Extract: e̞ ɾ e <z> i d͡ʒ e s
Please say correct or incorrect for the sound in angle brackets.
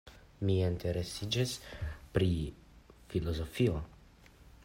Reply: incorrect